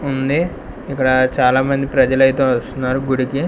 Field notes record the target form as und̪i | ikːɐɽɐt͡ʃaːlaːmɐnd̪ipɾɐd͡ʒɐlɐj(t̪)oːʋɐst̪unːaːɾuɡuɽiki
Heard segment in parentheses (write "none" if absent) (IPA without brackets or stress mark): t̪